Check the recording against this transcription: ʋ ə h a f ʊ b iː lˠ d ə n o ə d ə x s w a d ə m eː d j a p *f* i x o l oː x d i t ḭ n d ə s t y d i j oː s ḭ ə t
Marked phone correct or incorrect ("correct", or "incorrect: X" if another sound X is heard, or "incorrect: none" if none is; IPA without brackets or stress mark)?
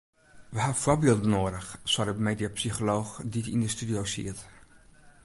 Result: incorrect: s